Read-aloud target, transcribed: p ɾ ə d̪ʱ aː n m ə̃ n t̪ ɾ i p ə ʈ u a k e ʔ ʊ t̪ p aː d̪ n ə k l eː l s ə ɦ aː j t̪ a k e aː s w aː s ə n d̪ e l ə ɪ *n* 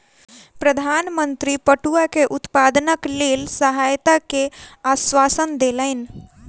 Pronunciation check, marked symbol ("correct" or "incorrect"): correct